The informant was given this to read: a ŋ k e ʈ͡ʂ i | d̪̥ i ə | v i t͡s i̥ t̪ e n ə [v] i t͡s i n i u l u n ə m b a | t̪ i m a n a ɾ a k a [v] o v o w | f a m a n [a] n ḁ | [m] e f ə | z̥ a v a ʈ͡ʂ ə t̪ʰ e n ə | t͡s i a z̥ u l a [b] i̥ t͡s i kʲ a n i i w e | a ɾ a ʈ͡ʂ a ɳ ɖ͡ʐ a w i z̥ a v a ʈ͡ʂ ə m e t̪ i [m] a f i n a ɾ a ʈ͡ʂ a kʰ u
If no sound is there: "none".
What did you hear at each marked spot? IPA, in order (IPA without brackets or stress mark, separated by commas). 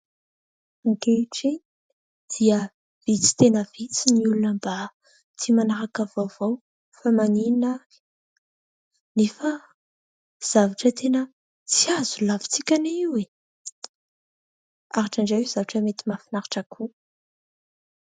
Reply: v, v, i, n, v, m